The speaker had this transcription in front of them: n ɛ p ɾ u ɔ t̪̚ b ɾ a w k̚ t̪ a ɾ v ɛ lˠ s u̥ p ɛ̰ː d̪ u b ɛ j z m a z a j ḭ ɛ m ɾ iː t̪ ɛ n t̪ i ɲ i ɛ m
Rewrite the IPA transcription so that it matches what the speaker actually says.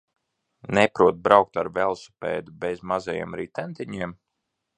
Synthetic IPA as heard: n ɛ p ɾ u ɔ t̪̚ b ɾ a w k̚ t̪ a ɾ v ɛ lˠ s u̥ p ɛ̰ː d̪ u b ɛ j z m a z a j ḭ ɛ m ɾ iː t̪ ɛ n t̪ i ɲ i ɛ m